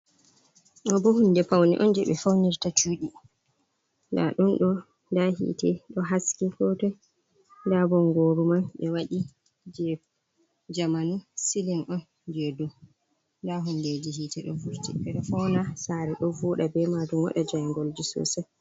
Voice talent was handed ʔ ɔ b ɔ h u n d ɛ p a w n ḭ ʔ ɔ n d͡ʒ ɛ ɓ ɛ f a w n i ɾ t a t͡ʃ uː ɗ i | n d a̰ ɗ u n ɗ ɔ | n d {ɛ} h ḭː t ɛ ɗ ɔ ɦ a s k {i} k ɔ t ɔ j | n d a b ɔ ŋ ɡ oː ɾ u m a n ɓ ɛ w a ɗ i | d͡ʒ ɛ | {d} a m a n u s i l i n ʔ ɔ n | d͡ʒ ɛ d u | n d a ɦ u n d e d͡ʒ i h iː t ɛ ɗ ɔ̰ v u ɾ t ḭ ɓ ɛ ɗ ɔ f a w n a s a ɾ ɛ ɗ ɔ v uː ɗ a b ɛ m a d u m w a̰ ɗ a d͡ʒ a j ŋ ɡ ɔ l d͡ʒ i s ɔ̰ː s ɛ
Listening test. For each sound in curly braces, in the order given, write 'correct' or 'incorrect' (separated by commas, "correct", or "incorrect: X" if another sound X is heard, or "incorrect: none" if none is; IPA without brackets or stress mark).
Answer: incorrect: a, correct, incorrect: d͡ʒ